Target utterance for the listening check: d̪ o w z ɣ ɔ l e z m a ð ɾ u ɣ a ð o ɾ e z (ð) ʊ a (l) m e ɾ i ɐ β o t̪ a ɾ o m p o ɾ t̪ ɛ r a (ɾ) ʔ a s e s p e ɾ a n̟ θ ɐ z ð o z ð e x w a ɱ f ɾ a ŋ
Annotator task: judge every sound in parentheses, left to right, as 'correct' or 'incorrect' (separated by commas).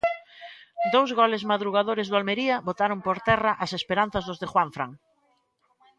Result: correct, correct, incorrect